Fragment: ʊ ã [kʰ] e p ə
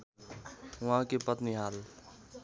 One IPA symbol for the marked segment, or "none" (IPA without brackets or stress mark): k